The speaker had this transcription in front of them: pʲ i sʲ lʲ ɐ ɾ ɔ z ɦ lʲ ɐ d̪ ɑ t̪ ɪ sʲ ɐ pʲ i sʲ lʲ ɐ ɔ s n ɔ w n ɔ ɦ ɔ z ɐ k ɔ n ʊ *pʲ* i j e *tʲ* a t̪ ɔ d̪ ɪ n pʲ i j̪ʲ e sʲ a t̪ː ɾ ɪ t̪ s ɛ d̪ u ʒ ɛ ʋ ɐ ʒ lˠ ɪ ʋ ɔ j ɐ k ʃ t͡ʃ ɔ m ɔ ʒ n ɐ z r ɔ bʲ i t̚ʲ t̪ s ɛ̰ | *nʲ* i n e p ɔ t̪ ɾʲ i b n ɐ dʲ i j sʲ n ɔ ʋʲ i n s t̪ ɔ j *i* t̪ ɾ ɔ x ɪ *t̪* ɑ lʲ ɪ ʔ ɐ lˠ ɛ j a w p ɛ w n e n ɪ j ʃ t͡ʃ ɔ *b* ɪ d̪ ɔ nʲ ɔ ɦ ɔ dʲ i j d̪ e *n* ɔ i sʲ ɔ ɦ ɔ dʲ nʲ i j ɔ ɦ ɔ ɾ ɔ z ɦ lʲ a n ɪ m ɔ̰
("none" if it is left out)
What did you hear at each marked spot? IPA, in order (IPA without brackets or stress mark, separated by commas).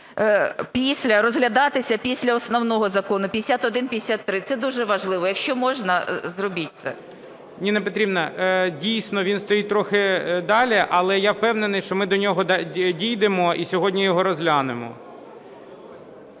pʲ, sʲ, nʲ, i, d̪, m, m